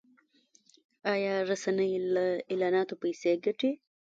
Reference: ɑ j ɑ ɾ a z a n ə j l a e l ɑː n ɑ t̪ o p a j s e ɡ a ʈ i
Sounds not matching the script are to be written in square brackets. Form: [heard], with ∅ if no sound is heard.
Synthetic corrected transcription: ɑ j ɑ ɾ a [s] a n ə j l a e l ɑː n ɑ t̪ o p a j s e ɡ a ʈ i